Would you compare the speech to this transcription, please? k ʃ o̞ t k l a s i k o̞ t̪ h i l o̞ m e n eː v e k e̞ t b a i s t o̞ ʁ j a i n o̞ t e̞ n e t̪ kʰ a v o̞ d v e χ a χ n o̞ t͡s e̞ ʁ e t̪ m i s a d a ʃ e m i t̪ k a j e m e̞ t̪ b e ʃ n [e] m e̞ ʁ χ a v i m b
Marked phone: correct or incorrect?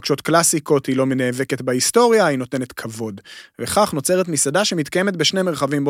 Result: correct